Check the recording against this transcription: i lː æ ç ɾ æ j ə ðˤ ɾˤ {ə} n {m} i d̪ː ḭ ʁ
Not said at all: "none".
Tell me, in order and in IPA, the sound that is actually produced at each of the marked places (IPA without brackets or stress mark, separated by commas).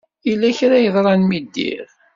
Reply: ɑ, m